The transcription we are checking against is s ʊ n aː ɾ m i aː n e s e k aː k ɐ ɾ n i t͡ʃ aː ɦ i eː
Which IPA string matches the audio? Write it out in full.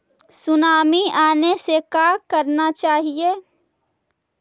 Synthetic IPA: s ʊ n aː m i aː n e s e k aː k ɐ ɾ n a t͡ʃ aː ɦ i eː

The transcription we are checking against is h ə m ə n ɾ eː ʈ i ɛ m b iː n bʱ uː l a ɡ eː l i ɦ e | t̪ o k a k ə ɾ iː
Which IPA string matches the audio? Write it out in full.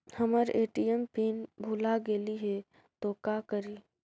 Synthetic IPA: h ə m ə ɾ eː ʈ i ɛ m p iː n bʱ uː l a ɡ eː l i ɦ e | t̪ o k a k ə ɾ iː

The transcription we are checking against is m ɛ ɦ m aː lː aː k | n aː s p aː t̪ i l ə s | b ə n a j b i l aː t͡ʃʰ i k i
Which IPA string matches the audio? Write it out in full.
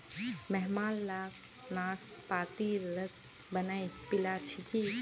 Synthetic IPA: m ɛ ɦ m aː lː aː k | n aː s p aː t̪ i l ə s | b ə n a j p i l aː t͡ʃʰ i k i

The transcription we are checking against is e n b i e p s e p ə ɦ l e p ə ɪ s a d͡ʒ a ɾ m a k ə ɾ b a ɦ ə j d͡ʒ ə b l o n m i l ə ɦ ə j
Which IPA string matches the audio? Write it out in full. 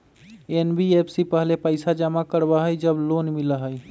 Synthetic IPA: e n b i e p s i p ə ɦ l e p ə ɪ s a d͡ʒ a m a k ə ɾ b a ɦ ə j d͡ʒ ə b l o n m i l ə ɦ ə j

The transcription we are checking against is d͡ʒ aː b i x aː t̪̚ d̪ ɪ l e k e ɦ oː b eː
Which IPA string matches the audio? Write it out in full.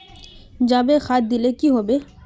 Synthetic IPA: d͡ʒ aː b e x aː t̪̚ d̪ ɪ l e k i ɦ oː b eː

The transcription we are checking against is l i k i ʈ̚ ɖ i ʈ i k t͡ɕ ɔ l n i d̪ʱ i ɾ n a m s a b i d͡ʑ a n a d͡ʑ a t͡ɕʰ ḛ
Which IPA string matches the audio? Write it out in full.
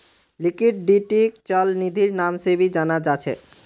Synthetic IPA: l i k i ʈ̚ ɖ i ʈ i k t͡ɕ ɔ l n i d̪ʱ i ɾ n a m s e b i d͡ʑ a n a d͡ʑ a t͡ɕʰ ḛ

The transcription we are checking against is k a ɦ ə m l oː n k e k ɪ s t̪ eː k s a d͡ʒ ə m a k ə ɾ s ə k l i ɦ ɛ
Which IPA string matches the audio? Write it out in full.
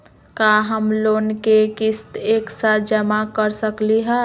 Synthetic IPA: k a ɦ ə m l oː n k e k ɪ s t̪ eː k s a d͡ʒ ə m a k ə ɾ s ə k l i ɦ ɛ

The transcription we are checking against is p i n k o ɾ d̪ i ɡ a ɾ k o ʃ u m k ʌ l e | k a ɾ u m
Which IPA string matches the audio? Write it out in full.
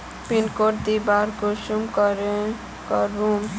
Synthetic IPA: p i n k o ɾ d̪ i b a ɾ k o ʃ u m k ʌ ɾ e | k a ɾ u m

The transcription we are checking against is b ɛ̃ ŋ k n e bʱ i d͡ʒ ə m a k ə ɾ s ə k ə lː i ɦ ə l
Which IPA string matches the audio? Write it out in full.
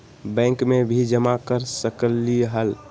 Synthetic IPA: b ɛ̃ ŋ k m e bʱ i d͡ʒ ə m a k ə ɾ s ə k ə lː i ɦ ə l

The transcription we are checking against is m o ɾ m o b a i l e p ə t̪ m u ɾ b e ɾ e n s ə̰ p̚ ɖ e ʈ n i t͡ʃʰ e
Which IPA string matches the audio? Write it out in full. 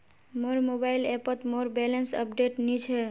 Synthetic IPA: m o ɾ m o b a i l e p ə t̪ m o ɾ b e l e n s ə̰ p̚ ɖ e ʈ n i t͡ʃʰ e

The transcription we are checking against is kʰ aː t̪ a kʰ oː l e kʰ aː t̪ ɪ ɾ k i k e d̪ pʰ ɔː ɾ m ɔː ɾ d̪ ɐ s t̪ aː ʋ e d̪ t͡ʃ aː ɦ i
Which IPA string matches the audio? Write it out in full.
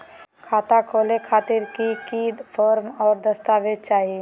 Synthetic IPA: kʰ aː t̪ a kʰ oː l e kʰ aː t̪ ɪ ɾ k i k i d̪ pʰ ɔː ɾ m ɔː ɾ d̪ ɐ s t̪ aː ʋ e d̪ t͡ʃ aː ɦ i

